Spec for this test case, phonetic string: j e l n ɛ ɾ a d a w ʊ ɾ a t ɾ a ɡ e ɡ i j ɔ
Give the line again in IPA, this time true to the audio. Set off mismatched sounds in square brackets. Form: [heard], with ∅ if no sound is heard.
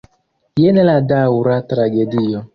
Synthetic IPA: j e [∅] n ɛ [l] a d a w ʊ ɾ a t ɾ a ɡ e [d] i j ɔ